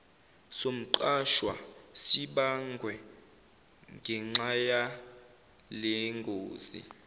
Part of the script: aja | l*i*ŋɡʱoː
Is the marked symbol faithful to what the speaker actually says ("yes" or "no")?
no